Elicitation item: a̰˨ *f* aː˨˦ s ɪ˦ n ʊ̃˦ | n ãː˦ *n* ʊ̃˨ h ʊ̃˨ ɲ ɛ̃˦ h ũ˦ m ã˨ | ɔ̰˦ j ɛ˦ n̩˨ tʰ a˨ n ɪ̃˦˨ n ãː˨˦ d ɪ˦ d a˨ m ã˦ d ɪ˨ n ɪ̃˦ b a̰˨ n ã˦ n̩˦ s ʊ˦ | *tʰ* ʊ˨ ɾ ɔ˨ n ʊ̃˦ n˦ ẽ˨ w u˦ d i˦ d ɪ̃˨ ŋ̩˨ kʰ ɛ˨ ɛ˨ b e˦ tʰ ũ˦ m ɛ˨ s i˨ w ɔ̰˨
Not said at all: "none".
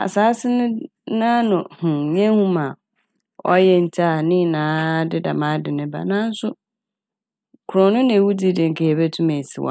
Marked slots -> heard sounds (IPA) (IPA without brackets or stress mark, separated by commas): s, n, kʰ